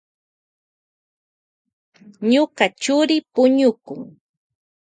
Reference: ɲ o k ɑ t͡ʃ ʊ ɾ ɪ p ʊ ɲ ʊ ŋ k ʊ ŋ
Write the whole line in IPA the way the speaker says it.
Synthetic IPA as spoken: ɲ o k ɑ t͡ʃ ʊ ɾ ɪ p ʊ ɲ ʊ k ʊ ŋ